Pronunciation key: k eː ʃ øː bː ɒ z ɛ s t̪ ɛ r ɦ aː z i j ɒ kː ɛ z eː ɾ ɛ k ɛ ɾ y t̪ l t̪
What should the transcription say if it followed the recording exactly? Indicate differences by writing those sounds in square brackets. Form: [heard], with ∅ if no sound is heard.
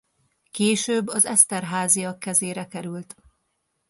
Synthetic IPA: k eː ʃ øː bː ɒ z ɛ s t̪ ɛ r ɦ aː z i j ɒ kː ɛ z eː ɾ ɛ k ɛ ɾ y [∅] l t̪